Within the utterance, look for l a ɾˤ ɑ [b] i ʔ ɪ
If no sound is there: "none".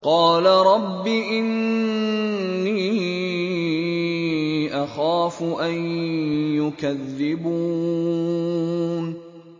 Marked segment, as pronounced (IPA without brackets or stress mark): bː